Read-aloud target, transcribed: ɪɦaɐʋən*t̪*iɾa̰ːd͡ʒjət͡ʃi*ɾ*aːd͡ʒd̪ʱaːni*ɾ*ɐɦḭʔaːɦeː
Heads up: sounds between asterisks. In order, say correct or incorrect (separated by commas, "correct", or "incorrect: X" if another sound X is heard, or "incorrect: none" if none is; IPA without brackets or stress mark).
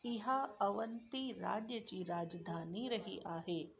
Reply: correct, correct, correct